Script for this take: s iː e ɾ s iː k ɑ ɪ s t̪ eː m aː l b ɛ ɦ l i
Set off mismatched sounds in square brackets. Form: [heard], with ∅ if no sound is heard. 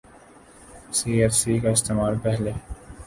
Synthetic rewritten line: s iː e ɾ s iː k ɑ ɪ s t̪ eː m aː l [p] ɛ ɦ l [e]